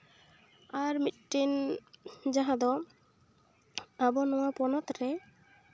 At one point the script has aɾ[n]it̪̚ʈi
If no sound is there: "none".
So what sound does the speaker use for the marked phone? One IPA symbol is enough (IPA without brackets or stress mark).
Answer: m